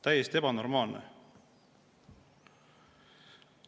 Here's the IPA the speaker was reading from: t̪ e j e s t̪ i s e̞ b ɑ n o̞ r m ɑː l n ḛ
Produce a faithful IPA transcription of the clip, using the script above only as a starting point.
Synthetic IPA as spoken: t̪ æ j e s t̪ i e̞ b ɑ n o̞ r m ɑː l n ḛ